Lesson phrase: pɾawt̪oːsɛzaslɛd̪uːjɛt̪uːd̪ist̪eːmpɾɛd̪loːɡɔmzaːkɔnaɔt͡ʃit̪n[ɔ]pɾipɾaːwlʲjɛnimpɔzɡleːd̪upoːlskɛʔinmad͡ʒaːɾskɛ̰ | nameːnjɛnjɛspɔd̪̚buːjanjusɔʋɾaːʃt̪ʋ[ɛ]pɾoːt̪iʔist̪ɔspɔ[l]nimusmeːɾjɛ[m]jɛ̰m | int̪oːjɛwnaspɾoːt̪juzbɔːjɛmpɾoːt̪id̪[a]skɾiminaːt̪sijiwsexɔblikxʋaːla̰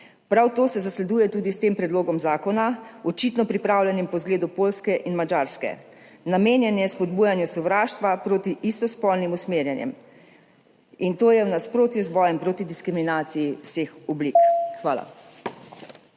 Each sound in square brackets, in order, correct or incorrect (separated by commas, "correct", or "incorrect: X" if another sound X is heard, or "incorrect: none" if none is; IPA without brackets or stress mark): correct, incorrect: a, correct, incorrect: n, incorrect: i